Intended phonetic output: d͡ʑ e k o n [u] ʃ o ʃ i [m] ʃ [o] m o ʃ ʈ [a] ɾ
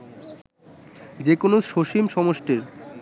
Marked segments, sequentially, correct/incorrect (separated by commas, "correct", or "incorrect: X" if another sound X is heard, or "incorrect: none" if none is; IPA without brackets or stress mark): incorrect: o, correct, incorrect: ɔ, incorrect: e